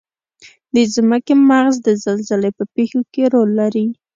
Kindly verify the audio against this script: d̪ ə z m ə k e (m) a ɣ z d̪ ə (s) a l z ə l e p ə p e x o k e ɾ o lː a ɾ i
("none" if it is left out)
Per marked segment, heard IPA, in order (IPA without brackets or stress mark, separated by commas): m, z